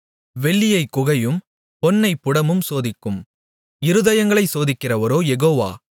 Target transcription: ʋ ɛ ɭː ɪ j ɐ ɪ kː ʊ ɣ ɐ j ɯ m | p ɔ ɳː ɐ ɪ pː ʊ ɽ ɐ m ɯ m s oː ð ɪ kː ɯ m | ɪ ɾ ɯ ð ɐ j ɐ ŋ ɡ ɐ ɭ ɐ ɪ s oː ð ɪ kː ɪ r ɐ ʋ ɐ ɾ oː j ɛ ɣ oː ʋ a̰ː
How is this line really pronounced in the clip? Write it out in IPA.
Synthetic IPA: ʋ ɛ ɭː ɪ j ɐ ɪ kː ʊ ɣ ɐ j ɯ m | p ɔ nː ɐ ɪ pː ʊ ɽ ɐ m ɯ m s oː ð ɪ kː ɯ m | ɪ ɾ ɯ ð ɐ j ɐ ŋ ɡ ɐ ɭ ɐ ɪ s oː ð ɪ kː ɪ r ɐ ʋ ɐ ɾ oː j ɛ ɣ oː ʋ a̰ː